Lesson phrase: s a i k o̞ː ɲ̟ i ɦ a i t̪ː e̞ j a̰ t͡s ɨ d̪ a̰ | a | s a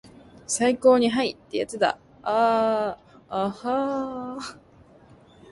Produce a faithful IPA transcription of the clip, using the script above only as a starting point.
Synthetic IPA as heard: s a i k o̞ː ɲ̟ i ɦ a i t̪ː e̞ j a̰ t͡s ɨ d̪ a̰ | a | h a